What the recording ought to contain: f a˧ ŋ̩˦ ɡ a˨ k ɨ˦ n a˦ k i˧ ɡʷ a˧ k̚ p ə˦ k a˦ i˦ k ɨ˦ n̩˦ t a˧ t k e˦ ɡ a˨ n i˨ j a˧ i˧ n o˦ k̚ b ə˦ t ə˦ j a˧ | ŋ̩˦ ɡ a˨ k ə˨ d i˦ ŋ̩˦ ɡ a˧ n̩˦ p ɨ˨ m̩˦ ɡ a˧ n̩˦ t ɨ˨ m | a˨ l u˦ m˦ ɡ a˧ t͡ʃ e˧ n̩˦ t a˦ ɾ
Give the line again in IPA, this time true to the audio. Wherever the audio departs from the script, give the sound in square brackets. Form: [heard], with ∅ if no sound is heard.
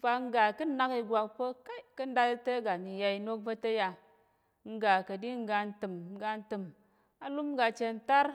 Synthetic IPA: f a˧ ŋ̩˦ ɡ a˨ k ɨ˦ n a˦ k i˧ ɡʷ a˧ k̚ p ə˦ k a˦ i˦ k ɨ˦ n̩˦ [d] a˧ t [t] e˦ ɡ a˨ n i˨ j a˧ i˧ n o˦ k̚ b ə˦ t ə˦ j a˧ | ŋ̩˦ ɡ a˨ k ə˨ d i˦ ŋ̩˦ ɡ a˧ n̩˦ [t] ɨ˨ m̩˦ ɡ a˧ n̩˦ t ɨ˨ m | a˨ l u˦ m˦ ɡ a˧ t͡ʃ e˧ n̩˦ t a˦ ɾ